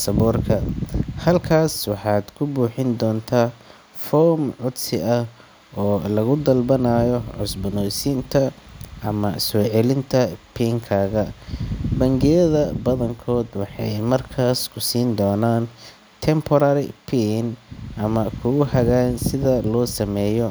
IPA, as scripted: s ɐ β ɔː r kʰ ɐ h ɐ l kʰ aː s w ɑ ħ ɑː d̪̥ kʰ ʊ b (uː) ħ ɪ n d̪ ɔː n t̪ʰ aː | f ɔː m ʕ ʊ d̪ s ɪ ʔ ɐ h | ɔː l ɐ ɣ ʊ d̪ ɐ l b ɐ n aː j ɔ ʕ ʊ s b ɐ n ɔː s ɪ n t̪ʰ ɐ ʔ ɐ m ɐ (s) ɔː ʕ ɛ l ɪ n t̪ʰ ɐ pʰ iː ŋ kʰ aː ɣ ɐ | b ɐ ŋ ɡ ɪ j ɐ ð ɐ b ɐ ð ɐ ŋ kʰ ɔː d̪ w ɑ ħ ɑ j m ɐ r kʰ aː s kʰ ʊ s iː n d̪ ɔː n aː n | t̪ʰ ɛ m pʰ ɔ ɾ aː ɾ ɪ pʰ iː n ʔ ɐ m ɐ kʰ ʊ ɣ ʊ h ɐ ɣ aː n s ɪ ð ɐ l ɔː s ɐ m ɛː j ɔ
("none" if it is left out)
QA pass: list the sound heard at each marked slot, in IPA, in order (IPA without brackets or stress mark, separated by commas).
uː, s